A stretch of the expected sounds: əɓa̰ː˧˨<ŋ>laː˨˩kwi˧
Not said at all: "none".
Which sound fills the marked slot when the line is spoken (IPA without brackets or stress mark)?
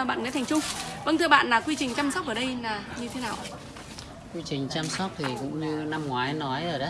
n